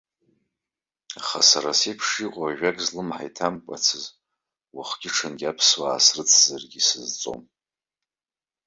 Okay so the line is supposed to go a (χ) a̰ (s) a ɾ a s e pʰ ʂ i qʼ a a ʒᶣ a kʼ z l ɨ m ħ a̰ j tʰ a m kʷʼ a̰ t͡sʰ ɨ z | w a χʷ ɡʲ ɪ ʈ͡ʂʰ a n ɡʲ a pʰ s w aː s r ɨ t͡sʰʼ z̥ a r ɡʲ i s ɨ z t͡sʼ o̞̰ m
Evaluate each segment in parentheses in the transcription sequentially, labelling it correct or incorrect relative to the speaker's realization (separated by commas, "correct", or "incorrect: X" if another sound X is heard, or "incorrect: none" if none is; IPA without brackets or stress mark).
correct, correct